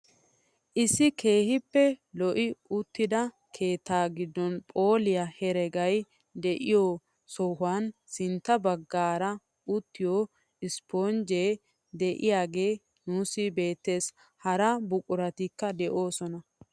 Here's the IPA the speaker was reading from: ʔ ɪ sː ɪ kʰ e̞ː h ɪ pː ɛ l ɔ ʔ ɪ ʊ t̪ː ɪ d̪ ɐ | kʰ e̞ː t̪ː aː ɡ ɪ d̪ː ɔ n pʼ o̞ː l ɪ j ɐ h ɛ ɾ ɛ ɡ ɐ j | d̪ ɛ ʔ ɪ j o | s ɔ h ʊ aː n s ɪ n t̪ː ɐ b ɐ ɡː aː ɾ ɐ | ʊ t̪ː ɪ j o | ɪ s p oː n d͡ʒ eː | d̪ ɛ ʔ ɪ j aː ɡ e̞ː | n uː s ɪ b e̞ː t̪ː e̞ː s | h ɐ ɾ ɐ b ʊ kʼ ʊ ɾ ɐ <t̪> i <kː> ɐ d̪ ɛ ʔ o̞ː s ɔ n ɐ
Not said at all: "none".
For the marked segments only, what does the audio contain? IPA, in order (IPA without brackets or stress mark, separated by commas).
t̪, kː